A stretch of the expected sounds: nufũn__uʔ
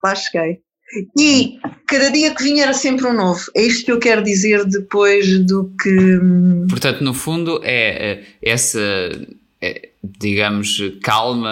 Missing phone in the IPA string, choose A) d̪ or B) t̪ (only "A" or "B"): A